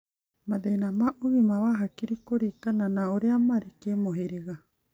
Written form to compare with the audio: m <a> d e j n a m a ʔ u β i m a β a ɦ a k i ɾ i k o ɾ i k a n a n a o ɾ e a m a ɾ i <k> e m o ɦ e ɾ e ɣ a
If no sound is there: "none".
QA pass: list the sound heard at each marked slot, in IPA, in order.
a, k

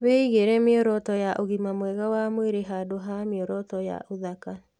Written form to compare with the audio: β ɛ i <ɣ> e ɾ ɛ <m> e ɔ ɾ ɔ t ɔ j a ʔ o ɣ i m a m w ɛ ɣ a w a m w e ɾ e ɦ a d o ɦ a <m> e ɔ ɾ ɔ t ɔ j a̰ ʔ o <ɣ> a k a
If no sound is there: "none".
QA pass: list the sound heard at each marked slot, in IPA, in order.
ɣ, m, m, ð

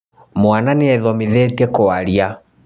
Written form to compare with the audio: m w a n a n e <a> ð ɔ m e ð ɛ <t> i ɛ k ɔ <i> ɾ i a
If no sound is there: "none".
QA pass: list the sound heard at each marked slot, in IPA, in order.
ɛ, t, a

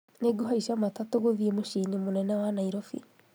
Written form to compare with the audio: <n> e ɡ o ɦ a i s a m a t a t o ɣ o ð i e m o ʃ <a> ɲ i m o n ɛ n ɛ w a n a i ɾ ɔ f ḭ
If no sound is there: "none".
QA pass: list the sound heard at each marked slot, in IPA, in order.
n, i

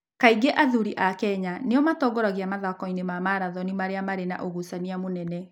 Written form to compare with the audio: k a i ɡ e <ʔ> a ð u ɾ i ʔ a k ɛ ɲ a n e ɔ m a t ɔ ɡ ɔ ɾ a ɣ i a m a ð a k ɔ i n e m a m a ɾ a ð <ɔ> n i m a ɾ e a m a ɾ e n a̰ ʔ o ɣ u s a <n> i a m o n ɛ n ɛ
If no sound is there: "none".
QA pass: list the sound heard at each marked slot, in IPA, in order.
ʔ, ɔ, n

